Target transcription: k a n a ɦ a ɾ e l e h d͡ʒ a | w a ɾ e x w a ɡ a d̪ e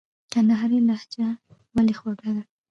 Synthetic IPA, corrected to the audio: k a n a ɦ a ɾ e l a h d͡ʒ a | w a l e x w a ɡ a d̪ a